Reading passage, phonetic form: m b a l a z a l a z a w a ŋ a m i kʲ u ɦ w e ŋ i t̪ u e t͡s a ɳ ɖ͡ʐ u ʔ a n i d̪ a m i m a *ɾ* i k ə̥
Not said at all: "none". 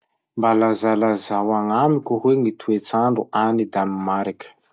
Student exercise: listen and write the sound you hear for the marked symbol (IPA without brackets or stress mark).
ɾ